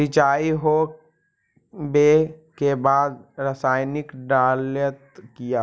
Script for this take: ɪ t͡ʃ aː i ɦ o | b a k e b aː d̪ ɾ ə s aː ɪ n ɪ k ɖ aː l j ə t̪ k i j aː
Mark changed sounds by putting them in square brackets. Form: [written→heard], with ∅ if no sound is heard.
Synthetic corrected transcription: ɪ t͡ʃ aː i ɦ o | b [a→e] k e b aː d̪ ɾ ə s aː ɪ n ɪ k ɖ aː l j ə t̪ k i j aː